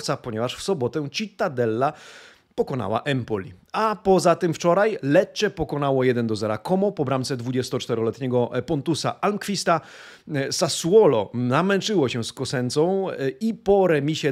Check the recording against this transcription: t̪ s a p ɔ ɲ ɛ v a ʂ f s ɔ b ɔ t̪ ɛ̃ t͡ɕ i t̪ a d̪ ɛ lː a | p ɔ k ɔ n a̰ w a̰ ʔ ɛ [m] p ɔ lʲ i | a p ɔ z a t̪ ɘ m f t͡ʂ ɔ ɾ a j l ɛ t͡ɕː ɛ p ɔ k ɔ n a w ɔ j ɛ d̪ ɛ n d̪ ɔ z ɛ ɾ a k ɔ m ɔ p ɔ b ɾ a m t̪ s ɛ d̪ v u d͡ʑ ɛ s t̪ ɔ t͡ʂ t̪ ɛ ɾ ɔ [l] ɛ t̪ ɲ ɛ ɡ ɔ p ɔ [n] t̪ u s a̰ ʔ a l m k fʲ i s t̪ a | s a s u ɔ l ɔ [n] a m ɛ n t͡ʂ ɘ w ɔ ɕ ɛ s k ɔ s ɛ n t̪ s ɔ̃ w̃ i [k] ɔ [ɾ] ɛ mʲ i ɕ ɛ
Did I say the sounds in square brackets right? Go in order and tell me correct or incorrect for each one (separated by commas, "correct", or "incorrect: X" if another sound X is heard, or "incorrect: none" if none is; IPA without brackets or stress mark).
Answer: correct, correct, correct, correct, incorrect: p, correct